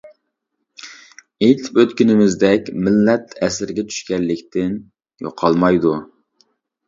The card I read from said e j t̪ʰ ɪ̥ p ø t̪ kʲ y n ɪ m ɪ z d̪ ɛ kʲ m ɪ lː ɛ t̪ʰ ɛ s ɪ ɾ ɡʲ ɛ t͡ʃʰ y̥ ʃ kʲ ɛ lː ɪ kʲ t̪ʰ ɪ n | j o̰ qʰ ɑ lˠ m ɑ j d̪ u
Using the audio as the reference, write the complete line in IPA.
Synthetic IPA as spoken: e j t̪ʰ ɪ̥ p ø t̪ kʲ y n ɪ m ɪ z d̪ ɛ kʲ m ɪ lː ɛ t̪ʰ ɛ s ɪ ɾ ɡʲ ɛ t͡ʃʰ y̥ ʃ kʲ ɛ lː ɪ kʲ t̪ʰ ɪ n | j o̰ qʰ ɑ lˠ m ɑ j d̪ u